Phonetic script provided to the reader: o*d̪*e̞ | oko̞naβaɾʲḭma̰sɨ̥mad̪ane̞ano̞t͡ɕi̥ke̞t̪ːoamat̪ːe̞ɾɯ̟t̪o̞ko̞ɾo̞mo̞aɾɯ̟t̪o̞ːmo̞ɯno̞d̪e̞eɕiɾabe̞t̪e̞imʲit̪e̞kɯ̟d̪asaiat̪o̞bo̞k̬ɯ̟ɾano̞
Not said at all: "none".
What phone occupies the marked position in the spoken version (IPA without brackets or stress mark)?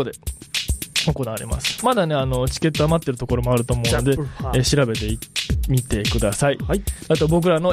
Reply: d̪